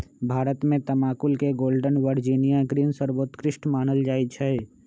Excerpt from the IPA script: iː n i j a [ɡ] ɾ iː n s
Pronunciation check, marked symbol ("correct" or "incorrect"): correct